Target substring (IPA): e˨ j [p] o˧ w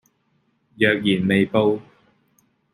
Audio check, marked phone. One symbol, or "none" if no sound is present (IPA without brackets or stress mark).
p